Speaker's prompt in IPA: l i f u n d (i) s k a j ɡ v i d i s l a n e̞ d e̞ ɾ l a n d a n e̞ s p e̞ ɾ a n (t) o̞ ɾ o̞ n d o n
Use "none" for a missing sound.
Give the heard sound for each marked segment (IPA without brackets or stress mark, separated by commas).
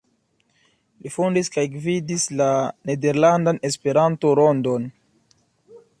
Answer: i, t